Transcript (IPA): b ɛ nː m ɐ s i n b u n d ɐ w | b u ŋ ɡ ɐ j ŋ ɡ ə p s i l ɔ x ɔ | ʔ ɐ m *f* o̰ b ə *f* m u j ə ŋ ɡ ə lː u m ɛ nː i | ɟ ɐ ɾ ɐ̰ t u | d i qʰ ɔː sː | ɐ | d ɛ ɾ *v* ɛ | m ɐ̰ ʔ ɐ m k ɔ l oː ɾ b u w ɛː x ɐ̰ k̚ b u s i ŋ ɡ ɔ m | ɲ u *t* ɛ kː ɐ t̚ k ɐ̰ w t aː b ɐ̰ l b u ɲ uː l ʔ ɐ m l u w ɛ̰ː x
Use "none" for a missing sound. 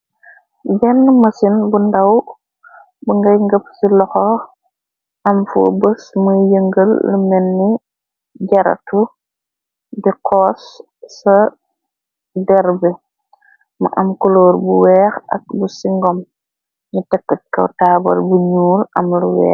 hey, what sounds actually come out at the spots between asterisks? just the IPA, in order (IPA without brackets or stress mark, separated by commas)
f, s, b, t